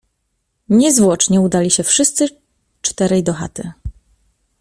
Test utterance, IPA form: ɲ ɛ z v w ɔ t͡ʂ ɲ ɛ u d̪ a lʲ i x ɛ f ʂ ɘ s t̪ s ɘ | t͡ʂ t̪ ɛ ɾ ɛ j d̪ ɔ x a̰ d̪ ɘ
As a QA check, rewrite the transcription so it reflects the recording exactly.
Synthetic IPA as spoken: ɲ ɛ z v w ɔ t͡ʂ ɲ ɛ u d̪ a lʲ i ɕ ɛ f ʂ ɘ s t̪ s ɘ | t͡ʂ t̪ ɛ ɾ ɛ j d̪ ɔ x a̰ t̪ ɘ